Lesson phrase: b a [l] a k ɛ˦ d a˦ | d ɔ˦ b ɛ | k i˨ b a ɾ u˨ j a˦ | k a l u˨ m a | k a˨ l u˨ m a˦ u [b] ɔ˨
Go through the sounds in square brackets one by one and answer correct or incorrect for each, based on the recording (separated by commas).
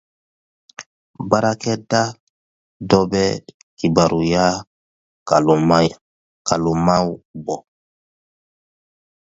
incorrect, correct